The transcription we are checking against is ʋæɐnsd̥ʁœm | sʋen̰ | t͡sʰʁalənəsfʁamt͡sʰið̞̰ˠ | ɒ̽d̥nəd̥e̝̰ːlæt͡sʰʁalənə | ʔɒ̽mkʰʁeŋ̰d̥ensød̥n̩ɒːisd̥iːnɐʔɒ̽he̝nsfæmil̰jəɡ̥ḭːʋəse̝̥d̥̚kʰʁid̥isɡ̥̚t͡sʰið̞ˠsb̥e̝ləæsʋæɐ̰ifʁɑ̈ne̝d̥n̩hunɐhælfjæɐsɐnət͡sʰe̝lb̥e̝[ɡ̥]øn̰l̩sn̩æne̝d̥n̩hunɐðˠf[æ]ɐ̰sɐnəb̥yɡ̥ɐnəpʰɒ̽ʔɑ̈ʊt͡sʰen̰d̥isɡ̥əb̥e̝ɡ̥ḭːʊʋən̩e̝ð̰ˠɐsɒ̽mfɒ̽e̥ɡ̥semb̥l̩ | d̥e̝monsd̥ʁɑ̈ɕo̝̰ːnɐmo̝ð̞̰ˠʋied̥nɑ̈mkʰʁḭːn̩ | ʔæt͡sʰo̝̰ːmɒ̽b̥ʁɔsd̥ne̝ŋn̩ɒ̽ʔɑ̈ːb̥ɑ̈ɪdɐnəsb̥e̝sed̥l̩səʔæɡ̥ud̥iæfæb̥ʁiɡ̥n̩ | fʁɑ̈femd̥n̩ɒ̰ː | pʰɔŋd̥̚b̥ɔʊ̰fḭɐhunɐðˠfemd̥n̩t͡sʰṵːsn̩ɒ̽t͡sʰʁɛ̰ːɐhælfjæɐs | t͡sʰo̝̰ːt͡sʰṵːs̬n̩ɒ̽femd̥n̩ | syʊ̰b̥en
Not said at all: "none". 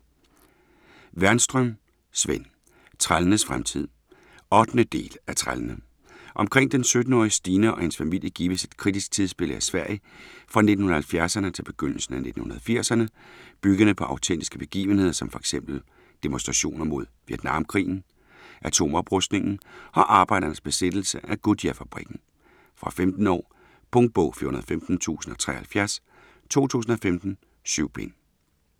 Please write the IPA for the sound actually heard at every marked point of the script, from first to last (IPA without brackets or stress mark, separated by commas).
ɡ̥, i